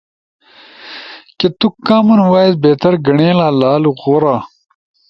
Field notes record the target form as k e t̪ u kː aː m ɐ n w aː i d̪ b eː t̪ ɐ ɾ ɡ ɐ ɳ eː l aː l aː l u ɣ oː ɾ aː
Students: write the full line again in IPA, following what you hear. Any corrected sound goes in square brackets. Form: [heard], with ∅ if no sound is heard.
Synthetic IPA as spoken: k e t̪ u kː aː m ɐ n w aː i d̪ b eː t̪ ɐ ɾ ɡ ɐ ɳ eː l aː l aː l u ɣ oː ɾ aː